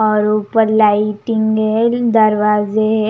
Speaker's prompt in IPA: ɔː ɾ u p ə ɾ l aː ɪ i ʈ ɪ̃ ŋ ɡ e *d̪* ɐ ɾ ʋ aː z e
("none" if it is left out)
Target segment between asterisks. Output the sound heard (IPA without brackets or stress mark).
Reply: d̪